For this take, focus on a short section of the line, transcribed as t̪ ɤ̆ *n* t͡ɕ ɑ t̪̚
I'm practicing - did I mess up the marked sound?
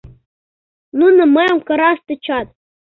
yes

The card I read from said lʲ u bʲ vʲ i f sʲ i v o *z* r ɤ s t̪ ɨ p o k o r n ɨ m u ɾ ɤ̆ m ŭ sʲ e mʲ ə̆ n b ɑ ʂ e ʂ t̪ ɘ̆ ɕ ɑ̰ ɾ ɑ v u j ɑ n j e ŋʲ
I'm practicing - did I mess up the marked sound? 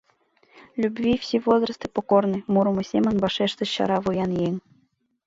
no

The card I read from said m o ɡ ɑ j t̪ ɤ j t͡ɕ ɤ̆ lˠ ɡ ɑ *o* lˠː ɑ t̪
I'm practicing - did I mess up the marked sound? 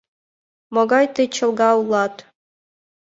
yes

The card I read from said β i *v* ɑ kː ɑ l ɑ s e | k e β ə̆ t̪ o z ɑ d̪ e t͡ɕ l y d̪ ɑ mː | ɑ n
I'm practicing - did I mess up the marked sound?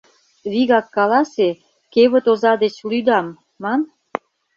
yes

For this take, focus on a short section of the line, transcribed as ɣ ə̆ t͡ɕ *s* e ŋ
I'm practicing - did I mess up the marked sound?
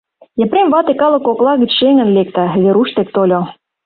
yes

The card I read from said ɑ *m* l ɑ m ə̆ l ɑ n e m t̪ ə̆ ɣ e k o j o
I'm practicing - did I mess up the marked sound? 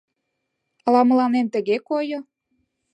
yes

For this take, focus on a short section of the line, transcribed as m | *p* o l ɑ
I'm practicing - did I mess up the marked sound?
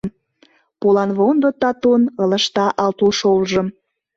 no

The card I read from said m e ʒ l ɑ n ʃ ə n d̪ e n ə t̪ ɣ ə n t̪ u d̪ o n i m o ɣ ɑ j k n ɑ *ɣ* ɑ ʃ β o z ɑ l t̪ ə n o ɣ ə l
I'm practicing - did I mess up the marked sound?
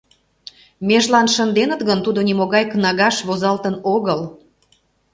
no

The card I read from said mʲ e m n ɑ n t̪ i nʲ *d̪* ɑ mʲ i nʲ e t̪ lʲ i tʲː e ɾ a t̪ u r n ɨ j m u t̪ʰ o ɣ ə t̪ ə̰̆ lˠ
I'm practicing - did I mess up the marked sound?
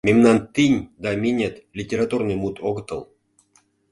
no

